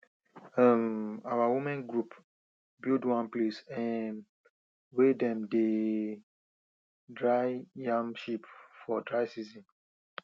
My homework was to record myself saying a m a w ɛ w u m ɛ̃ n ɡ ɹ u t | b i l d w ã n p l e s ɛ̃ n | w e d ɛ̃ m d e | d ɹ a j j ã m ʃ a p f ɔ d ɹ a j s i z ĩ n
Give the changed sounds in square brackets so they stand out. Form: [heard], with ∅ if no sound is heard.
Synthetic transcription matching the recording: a m a w [a] w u m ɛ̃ n ɡ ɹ u [p] | b i l d w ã n p l e s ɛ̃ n | w e d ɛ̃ m d e | d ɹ a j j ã m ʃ [i] p f ɔ d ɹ a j s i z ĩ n